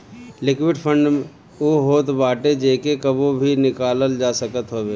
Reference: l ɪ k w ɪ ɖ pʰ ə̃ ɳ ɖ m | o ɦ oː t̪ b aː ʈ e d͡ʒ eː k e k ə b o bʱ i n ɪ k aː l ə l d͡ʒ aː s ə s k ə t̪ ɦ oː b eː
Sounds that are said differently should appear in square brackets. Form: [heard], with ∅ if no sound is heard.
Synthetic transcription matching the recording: l ɪ k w ɪ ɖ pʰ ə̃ ɳ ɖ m | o ɦ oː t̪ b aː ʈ e d͡ʒ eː k e k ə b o bʱ i n ɪ k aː l ə l d͡ʒ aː s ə [∅] k ə t̪ ɦ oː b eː